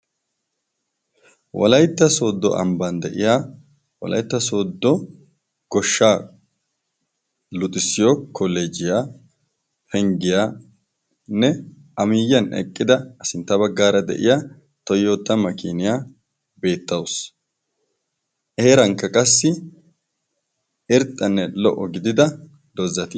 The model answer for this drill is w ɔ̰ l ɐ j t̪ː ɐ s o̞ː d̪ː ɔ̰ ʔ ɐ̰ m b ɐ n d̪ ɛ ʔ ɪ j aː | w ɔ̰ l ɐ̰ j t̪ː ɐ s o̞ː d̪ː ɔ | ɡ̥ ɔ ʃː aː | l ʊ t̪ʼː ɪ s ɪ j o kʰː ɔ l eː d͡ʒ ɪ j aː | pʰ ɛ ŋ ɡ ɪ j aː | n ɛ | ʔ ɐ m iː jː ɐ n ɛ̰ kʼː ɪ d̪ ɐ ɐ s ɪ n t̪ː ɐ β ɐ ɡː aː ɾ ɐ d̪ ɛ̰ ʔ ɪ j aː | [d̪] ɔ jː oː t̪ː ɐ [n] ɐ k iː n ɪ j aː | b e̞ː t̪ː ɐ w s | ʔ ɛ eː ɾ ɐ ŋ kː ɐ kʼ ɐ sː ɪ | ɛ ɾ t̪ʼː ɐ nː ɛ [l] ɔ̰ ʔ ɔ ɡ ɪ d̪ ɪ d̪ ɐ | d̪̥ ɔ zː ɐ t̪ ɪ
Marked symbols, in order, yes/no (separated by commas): no, no, yes